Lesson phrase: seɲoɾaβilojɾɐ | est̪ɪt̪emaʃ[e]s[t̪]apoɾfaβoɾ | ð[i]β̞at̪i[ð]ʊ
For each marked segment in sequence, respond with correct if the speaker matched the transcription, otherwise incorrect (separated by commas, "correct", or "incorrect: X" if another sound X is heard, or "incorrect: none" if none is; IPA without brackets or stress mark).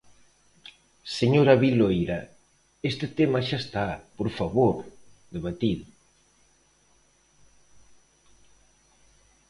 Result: incorrect: a, correct, incorrect: e, correct